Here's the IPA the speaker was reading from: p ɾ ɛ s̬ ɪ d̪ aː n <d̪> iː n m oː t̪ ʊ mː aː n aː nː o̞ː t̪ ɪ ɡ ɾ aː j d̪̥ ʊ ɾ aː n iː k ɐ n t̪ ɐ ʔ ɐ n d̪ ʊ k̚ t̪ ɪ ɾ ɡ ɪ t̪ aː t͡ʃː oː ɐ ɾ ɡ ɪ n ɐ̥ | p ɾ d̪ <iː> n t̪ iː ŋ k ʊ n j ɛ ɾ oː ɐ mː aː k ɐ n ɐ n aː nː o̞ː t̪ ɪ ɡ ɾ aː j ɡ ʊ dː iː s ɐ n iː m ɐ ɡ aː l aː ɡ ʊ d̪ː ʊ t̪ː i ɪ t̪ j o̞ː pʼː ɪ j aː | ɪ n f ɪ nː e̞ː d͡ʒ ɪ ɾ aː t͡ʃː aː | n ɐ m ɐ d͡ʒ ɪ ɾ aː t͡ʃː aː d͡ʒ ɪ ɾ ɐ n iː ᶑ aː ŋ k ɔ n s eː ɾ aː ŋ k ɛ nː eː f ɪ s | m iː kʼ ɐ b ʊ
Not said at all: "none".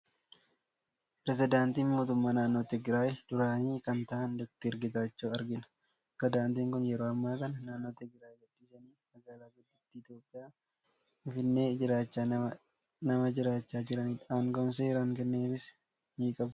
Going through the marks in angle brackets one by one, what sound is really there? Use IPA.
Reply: t̪, aː

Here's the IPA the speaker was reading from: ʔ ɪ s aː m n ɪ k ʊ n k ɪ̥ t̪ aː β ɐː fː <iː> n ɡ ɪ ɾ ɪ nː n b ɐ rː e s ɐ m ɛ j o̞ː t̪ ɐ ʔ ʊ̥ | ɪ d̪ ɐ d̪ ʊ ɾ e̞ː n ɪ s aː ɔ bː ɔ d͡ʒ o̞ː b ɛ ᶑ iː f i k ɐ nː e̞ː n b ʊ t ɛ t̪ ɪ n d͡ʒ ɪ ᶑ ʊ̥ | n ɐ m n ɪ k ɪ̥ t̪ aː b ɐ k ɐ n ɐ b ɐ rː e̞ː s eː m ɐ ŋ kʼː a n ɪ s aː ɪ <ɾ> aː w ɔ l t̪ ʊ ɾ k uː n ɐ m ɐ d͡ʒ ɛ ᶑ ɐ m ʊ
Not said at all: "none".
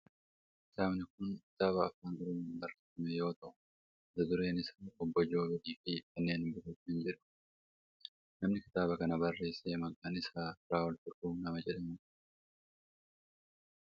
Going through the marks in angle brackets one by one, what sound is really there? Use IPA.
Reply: aː, ɾ

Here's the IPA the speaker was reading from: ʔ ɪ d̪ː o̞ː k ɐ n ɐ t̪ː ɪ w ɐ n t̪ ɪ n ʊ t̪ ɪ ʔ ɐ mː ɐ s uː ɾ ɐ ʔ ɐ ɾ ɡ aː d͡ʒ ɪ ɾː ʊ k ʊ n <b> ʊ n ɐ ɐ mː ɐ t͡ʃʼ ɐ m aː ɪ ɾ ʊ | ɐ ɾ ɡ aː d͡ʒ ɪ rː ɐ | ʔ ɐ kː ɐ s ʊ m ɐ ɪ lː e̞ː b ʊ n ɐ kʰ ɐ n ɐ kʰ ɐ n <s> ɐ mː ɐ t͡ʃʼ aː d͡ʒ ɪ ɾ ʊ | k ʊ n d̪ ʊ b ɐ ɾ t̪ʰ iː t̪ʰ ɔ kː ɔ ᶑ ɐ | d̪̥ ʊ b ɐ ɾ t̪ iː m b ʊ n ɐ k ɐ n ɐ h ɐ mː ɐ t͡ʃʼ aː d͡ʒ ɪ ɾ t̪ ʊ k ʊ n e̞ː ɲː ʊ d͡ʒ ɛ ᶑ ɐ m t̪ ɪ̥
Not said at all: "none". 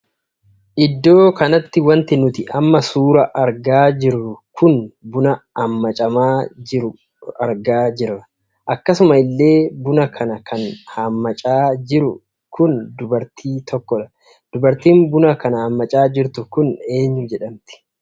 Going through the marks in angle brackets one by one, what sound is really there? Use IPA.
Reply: b, h

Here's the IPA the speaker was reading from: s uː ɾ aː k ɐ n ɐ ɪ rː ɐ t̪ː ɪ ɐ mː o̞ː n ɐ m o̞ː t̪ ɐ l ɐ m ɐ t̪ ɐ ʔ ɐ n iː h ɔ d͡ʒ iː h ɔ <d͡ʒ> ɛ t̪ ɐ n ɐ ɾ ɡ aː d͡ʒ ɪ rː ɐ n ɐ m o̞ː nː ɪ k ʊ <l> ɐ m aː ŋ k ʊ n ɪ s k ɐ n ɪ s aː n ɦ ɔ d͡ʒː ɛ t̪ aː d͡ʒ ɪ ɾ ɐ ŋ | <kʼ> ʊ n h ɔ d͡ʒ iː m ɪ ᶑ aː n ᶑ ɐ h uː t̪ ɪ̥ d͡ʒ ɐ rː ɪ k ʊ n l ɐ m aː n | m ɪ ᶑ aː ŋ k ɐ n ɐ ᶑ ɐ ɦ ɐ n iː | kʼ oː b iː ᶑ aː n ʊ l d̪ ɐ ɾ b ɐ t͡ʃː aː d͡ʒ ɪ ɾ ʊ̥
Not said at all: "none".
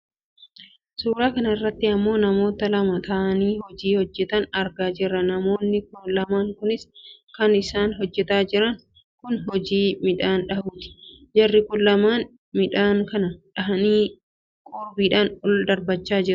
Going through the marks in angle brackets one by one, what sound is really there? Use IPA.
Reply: d͡ʒː, l, k

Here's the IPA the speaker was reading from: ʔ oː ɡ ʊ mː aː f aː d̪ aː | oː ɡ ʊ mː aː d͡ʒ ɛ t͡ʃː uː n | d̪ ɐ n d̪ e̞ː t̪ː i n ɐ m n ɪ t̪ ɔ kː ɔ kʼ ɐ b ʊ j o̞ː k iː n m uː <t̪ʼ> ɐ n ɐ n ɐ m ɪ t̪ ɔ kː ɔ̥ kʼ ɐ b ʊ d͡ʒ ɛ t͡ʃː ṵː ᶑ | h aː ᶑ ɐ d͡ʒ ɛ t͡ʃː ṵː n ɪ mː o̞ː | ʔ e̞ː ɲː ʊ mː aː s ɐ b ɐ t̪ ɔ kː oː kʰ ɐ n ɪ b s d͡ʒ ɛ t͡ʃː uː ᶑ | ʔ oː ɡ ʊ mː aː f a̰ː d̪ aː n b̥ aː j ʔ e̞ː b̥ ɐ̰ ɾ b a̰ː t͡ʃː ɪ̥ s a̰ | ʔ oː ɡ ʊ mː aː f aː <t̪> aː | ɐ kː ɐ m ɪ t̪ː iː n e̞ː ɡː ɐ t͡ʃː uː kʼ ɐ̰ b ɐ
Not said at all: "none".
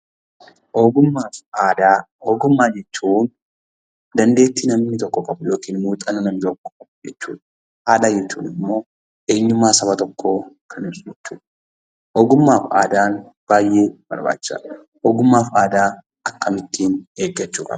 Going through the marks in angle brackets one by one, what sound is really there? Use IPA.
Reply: t̪ʼ, d̪

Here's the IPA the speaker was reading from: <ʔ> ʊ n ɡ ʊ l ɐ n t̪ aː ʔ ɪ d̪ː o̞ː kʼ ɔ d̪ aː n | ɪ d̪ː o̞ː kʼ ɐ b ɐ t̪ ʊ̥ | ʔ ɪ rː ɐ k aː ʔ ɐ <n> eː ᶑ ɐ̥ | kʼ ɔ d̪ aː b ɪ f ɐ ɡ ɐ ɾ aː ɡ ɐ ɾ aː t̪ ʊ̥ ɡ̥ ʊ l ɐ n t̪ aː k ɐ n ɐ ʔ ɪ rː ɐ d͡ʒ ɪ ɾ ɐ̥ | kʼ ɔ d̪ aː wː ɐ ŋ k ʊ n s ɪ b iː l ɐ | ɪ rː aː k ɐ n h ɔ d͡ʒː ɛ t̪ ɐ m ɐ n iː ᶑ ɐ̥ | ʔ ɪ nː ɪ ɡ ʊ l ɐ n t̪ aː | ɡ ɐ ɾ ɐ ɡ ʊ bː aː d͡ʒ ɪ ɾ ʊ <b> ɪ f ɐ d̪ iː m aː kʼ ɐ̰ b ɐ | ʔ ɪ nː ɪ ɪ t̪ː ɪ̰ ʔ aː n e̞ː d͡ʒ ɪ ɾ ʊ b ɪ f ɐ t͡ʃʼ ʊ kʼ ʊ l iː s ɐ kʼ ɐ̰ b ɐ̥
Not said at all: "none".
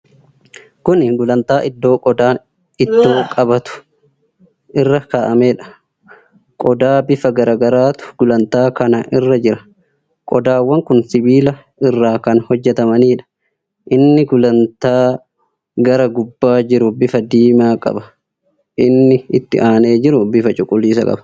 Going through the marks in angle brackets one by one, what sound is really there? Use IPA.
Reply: k, m, b

